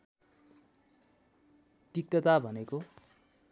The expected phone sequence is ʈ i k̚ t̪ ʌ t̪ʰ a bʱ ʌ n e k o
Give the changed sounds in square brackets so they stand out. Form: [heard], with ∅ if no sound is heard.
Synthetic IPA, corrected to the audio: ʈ i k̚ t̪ ʌ [t̪] a bʱ ʌ n e k o